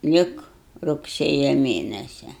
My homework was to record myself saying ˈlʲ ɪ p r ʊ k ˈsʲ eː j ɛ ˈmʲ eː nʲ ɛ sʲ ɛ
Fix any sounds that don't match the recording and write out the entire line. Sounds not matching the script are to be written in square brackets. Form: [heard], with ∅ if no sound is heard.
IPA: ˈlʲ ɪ [k] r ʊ k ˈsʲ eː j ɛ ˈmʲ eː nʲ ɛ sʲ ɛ